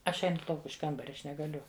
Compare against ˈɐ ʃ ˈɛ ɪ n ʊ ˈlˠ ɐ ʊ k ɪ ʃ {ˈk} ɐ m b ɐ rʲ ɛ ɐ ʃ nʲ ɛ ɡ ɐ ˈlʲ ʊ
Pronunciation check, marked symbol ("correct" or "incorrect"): correct